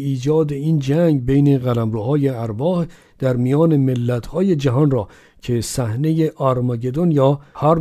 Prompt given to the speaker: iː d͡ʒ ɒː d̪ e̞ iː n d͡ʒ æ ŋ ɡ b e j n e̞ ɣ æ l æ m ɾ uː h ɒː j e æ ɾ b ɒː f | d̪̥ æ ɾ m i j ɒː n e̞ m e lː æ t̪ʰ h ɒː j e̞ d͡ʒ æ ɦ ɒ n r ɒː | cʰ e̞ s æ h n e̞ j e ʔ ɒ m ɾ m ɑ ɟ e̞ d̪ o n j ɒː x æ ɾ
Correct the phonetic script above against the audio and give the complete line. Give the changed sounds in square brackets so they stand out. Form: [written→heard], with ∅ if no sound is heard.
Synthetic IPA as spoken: iː d͡ʒ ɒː d̪ e̞ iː n d͡ʒ æ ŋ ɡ b e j n e̞ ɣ æ l æ m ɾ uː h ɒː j e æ ɾ b ɒː [f→h] | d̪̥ æ ɾ m i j ɒː n e̞ m e lː æ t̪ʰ h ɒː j e̞ d͡ʒ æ ɦ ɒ n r ɒː | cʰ e̞ s æ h n e̞ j e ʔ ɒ [m→∅] ɾ m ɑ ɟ e̞ d̪ o n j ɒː [x→h] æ ɾ